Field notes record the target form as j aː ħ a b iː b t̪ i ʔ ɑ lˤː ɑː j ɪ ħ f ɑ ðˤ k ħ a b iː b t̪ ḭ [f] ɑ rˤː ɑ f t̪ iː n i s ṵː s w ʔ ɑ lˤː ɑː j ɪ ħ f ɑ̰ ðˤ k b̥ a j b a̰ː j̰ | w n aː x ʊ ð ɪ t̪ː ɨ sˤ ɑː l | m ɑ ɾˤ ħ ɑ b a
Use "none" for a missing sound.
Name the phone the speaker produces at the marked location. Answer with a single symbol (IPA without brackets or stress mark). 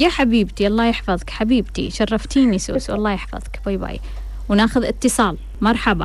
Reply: ʃ